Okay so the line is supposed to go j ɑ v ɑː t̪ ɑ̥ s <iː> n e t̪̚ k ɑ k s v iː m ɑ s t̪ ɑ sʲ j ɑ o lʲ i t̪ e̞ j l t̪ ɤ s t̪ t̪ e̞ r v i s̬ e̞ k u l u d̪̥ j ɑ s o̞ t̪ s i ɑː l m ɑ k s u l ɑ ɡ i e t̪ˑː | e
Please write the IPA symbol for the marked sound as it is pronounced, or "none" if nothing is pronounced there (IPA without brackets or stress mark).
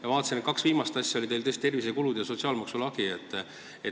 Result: i